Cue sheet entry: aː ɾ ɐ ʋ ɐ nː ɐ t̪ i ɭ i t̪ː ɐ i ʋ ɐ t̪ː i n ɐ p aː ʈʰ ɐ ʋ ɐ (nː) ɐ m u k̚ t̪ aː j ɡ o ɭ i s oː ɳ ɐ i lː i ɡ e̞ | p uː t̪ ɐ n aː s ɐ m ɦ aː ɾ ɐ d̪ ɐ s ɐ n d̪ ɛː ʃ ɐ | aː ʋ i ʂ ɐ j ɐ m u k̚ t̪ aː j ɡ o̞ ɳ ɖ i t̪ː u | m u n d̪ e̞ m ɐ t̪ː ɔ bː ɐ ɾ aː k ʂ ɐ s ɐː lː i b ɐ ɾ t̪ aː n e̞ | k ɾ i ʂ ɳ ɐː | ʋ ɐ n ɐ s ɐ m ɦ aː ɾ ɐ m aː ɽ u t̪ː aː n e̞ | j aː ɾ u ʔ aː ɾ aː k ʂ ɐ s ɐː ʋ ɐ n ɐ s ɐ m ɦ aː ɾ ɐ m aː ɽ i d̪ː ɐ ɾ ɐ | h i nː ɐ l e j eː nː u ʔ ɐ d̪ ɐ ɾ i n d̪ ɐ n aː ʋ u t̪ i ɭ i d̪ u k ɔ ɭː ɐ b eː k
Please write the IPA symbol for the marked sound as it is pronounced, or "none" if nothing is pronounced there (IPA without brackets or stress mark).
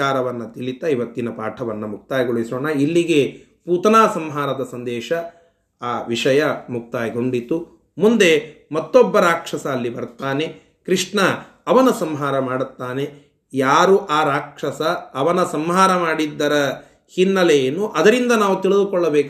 nː